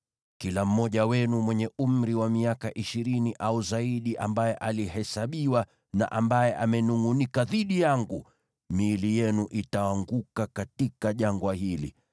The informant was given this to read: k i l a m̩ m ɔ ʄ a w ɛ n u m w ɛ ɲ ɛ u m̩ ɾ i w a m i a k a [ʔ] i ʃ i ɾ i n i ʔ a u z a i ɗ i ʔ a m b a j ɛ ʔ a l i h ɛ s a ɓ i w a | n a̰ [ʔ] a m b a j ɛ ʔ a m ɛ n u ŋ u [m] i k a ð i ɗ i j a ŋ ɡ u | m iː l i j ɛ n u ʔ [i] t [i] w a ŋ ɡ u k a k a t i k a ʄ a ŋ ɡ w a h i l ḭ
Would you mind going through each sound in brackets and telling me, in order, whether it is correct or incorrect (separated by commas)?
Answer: correct, correct, incorrect, correct, incorrect